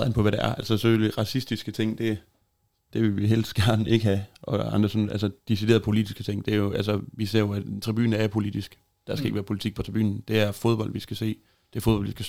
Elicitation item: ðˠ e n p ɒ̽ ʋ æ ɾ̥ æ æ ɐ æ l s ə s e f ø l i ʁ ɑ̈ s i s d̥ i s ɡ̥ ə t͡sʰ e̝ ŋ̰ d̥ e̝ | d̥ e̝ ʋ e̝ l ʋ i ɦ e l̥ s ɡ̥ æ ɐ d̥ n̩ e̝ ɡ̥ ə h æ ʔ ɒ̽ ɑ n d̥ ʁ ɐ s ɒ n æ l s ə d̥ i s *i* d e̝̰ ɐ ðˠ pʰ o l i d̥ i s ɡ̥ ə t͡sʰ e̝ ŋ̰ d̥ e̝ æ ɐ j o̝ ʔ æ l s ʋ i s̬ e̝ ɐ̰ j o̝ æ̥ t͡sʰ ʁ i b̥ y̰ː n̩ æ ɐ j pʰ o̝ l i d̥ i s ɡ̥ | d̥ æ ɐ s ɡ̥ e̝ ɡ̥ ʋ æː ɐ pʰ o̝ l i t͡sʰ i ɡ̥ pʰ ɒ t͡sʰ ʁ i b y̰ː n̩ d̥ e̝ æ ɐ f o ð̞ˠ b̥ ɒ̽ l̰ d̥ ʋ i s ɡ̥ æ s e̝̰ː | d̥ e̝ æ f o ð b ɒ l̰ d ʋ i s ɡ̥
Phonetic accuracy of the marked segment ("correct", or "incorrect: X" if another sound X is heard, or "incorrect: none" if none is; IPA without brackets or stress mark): correct